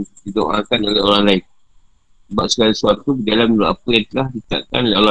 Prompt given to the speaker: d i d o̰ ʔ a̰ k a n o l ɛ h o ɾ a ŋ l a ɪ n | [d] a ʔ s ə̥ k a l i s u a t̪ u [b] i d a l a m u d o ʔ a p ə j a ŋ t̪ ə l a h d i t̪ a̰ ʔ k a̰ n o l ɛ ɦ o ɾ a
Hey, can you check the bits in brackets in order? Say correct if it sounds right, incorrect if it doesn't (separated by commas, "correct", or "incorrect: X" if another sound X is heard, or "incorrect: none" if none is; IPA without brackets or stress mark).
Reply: incorrect: b, correct